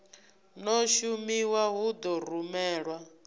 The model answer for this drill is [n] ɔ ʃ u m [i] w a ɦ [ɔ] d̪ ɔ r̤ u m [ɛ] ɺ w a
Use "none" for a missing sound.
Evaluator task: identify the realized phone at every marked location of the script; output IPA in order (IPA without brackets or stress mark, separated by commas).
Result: n, i, u, ɛː